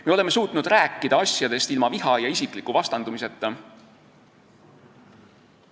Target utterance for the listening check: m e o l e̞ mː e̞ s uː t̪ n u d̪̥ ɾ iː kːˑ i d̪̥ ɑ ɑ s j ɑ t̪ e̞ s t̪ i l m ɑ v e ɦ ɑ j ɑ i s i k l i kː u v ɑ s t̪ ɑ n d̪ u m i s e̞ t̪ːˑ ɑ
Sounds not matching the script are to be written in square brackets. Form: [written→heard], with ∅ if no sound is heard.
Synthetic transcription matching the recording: m e o l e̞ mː e̞ s uː t̪ n u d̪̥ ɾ [iː→æː] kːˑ i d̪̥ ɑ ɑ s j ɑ [t̪→d̪] e̞ s t̪ i l m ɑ v [e→i] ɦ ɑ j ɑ i s i k l i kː u v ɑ s t̪ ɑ n d̪ u m i s e̞ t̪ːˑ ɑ

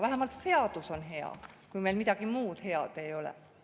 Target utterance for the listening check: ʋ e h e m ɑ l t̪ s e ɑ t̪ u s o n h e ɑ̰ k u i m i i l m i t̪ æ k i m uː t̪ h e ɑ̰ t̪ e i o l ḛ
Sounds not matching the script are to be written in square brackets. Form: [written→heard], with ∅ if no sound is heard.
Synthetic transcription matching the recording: ʋ [e→æ] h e m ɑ l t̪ s e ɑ t̪ u s o n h e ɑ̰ k u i m [i→e] i l m i t̪ æ k i m uː t̪ h e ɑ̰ t̪ e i o l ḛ

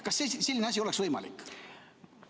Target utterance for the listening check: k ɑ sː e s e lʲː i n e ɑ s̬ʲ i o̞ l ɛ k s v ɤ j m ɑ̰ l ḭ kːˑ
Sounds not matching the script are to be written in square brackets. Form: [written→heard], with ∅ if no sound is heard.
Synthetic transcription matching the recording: k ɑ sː e s e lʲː i n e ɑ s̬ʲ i o̞ l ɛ k s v ɤ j m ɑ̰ l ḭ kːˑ

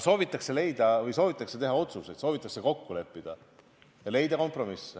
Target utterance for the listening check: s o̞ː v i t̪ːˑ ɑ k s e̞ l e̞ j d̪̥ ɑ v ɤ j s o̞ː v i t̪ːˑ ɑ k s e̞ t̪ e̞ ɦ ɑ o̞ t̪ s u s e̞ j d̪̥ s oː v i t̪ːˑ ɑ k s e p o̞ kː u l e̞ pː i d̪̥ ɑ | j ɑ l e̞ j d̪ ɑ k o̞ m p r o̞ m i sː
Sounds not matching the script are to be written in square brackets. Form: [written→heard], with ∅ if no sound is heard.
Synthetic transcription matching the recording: s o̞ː v i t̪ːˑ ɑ k s e̞ l e̞ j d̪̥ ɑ v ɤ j s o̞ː v i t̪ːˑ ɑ k s e̞ t̪ e̞ ɦ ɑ o̞ t̪ s u s e̞ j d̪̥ s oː v i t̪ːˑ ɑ k s e [p→k] o̞ kː u l e̞ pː i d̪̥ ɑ | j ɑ l e̞ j d̪ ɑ k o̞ m p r o̞ m i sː

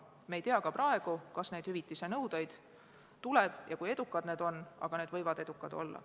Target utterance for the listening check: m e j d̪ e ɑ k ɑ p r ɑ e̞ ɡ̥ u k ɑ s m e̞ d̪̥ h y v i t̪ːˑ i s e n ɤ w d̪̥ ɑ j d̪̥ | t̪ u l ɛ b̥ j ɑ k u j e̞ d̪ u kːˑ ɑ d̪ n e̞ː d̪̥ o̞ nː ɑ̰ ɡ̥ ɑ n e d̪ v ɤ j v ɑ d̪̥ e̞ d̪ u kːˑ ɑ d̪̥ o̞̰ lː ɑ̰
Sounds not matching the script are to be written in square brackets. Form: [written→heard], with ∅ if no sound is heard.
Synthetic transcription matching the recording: m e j [d̪→t̪] e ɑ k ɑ p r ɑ e̞ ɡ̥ u k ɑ s [m→n] e̞ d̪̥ h y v i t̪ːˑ i s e n ɤ w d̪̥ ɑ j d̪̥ | t̪ u l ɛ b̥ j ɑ k u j e̞ d̪ u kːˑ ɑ d̪ n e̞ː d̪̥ o̞ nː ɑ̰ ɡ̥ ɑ n e d̪ v ɤ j v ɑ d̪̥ e̞ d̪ u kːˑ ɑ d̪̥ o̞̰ lː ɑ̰

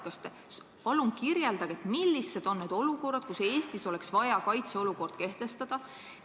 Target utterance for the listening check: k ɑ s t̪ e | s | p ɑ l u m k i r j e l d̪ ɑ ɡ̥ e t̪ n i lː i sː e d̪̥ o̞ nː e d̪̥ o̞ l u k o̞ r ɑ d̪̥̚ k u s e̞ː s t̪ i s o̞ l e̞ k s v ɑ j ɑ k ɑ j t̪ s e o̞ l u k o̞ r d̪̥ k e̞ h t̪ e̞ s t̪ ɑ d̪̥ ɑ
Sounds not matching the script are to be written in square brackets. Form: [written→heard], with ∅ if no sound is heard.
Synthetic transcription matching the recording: k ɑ s t̪ e | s | p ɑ l u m k i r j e l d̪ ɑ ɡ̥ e t̪ [n→m] i lː i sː e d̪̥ o̞ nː e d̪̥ o̞ l u k o̞ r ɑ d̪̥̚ k u s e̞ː s t̪ i s o̞ l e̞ k s v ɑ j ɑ k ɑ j t̪ s e o̞ l u k o̞ r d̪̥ k e̞ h t̪ e̞ s t̪ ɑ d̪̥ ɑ

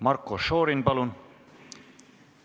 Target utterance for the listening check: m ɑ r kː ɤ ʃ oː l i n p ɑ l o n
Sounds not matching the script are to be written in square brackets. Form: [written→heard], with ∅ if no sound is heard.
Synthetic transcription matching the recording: m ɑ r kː [ɤ→o] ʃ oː [l→ɾ] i n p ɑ l [o→u] n

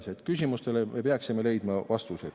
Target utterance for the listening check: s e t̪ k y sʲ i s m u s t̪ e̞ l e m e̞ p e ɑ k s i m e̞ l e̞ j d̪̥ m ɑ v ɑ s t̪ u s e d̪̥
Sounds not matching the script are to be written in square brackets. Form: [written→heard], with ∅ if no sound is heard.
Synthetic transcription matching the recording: s e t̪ k y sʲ i [s→∅] m u s t̪ e̞ l e m e̞ p e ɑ k s i m e̞ l e̞ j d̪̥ m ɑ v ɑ s t̪ u s e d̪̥

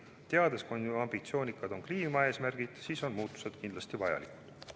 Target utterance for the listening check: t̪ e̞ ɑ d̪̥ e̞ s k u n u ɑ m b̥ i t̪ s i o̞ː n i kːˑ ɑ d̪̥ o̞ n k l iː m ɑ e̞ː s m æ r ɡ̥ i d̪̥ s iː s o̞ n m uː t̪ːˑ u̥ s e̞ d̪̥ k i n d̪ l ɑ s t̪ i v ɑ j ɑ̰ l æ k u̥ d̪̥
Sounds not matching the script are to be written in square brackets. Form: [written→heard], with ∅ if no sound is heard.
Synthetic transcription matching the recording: t̪ e̞ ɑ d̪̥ e̞ s k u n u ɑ m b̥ i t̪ s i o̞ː n i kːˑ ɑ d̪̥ o̞ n k l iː m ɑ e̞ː s m æ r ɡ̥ i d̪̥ s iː s o̞ n m uː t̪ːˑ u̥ s e̞ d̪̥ k i n d̪ l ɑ s t̪ i v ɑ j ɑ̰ l [æ→i] k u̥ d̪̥

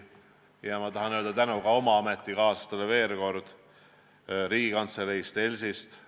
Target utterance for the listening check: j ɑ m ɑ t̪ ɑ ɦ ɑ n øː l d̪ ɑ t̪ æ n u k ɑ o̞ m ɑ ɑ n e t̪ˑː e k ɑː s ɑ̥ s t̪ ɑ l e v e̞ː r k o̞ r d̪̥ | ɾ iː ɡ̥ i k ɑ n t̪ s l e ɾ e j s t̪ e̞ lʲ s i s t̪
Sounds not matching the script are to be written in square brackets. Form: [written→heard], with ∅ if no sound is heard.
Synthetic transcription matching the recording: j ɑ m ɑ t̪ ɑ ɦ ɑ n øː l d̪ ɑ t̪ æ n u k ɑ o̞ m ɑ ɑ [n→m] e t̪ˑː [e→i] k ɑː s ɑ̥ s t̪ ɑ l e v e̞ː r k o̞ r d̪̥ | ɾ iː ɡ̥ i k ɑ n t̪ s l e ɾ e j s t̪ e̞ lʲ s i s t̪

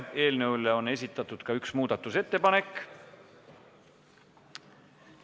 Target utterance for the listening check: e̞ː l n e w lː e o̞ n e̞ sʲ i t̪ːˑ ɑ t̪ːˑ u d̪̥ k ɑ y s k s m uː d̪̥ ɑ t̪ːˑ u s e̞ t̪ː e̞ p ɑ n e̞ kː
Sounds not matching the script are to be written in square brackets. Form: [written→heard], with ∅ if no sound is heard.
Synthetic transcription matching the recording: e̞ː l n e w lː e o̞ n e̞ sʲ i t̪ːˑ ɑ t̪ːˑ u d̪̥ k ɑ y [s→∅] k s m uː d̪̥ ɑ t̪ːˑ u s e̞ t̪ː e̞ p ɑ n e̞ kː

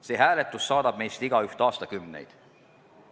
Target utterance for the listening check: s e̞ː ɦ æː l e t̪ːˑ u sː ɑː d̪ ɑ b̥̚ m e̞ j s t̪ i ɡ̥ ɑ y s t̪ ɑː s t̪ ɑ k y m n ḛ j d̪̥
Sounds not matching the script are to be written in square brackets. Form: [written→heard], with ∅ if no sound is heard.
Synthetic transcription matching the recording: s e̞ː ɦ æː l e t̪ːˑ u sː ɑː d̪ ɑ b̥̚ m e̞ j s t̪ i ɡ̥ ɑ y [s→h] t̪ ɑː s t̪ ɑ k y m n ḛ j d̪̥

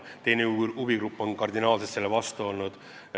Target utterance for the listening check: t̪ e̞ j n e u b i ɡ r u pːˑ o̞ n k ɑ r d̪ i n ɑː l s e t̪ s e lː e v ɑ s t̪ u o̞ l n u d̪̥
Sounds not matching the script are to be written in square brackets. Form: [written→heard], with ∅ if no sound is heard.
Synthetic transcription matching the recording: t̪ e̞ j n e u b i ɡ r u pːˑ o̞ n k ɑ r d̪ i n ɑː l s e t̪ s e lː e v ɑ s t̪ u o̞ l n u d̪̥

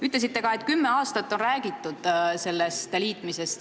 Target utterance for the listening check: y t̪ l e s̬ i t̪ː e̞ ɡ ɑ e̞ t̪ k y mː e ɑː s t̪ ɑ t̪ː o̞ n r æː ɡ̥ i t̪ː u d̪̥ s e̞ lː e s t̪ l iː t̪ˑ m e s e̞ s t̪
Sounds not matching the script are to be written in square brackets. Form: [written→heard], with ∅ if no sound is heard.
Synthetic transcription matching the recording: y t̪ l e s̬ i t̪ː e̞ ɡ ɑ e̞ t̪ k y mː e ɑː s t̪ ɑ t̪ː o̞ n r æː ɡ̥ i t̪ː u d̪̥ s e̞ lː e s t̪ l iː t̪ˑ m [e→i] s e̞ s t̪

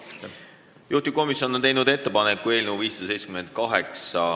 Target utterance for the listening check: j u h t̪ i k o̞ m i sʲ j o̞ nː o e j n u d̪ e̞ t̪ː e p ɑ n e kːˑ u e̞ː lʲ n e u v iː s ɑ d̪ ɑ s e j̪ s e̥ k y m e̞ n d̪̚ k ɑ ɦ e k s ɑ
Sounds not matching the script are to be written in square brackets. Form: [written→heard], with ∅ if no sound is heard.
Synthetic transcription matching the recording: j u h t̪ i k o̞ m i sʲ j o̞ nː o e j n u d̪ e̞ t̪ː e p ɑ n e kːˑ u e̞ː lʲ n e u v iː s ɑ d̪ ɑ s e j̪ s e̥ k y m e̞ n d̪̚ k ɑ ɦ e k s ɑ

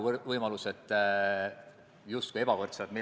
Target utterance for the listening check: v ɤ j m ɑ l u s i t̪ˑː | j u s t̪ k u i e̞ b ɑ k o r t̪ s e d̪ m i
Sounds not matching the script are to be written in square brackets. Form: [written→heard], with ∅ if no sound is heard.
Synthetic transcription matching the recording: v ɤ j m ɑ l u s [i→e] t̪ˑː | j u s t̪ k u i e̞ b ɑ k o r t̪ s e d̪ m i

